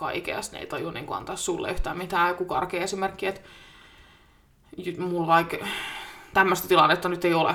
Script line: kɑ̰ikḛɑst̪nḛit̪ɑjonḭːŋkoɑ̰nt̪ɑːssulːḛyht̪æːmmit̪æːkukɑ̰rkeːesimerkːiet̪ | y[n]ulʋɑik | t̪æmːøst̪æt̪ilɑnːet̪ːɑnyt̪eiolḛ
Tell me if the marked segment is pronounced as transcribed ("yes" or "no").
no